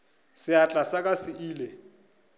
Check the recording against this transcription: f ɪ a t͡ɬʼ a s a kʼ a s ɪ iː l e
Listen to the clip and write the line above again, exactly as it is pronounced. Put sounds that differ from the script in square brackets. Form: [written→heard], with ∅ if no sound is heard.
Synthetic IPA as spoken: [f→s] ɪ a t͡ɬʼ a s a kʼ a s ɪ iː l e